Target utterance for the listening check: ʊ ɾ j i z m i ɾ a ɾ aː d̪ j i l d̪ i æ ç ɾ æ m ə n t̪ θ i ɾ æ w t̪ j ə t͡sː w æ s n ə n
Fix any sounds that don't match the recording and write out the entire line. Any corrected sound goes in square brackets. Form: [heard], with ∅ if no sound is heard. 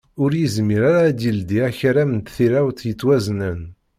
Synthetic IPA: ʊ ɾ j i z m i ɾ a ɾ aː d̪ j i l d̪ i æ ç ɾ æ m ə n t̪ θ i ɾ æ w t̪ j ə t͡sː w æ [z] n ə n